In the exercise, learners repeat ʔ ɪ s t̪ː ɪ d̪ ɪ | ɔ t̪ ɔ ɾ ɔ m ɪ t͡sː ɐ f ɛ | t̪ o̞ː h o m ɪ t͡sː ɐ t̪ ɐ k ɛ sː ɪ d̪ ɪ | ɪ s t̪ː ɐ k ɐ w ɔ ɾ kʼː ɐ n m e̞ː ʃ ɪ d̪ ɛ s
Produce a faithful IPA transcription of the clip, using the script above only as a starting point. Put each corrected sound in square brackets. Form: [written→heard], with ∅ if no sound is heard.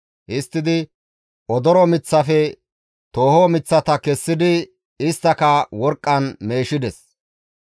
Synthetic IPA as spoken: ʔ ɪ s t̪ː ɪ d̪ ɪ | ɔ [t̪→d̪] ɔ ɾ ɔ m ɪ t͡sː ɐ f ɛ | t̪ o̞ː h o m ɪ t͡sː ɐ t̪ ɐ k ɛ sː ɪ d̪ ɪ | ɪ s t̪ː ɐ k ɐ w ɔ ɾ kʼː ɐ n m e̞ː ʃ ɪ d̪ ɛ s

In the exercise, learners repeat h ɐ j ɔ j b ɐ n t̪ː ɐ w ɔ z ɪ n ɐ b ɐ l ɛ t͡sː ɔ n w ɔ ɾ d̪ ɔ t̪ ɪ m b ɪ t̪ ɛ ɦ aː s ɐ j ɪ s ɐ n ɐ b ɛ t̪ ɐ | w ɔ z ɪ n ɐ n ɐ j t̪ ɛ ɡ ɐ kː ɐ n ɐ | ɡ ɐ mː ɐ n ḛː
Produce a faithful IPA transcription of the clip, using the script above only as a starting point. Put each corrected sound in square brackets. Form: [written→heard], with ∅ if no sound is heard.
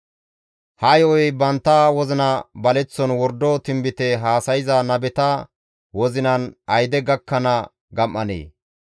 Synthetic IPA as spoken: h ɐ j ɔ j b ɐ n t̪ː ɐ w ɔ z ɪ n ɐ b ɐ l ɛ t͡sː ɔ n w ɔ ɾ d̪ ɔ t̪ ɪ m b ɪ t̪ ɛ ɦ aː s ɐ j ɪ [s→z] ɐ n ɐ b ɛ t̪ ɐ | w ɔ z ɪ n ɐ n ɐ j [t̪→d̪] ɛ ɡ ɐ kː ɐ n ɐ | ɡ ɐ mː ɐ n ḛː

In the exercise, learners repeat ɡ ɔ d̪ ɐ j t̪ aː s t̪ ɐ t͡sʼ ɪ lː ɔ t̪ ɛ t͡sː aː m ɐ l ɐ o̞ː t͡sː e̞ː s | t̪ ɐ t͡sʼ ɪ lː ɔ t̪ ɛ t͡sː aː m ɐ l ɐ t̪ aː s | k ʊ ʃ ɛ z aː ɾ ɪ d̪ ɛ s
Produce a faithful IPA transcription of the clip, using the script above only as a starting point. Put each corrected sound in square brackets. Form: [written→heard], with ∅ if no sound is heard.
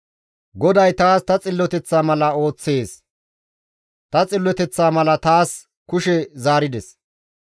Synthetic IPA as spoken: ɡ ɔ d̪ ɐ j t̪ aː s t̪ ɐ t͡sʼ ɪ lː ɔ t̪ ɛ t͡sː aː m ɐ l ɐ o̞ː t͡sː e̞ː s | t̪ ɐ t͡sʼ ɪ lː ɔ t̪ ɛ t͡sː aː m ɐ l ɐ t̪ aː s | k ʊ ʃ ɛ z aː ɾ ɪ d̪ ɛ s

